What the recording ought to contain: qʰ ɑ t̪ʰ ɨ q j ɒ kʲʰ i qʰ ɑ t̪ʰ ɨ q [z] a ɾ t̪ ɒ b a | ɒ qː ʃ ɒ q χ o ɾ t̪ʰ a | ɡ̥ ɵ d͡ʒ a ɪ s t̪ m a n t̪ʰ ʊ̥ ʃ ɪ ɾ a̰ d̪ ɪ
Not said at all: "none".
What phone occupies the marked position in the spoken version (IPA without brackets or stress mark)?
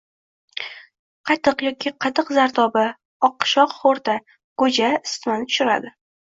z